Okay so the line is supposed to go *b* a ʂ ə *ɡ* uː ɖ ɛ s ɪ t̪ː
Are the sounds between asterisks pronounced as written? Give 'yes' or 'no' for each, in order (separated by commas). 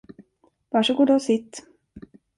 no, yes